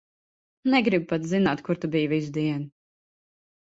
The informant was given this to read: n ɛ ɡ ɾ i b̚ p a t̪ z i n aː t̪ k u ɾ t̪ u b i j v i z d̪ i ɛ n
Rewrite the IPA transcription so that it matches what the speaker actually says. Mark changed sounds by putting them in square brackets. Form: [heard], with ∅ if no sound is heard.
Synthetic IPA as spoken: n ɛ ɡ ɾ i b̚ p a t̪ z i n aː t̪ k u ɾ t̪ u b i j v i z d̪ i ɛ n